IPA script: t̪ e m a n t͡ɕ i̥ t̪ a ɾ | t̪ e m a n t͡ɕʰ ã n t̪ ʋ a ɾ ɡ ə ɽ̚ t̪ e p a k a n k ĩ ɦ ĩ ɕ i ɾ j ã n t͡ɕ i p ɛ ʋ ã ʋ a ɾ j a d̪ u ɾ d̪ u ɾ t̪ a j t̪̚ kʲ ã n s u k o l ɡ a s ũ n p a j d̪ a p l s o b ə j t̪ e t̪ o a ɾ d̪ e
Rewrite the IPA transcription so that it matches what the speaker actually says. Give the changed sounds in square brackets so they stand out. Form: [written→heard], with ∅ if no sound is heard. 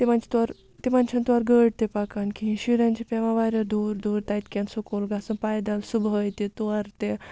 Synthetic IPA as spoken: t̪ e m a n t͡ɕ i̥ t̪ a ɾ | t̪ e m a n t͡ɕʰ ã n t̪ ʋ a ɾ ɡ ə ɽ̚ t̪ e p a k a n k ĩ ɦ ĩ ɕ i ɾ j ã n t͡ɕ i p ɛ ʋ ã ʋ a ɾ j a d̪ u ɾ d̪ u ɾ t̪ a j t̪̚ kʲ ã n s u k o l ɡ a s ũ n p a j d̪ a [p→∅] l s [o→u] b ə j t̪ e t̪ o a ɾ [d̪→t̪] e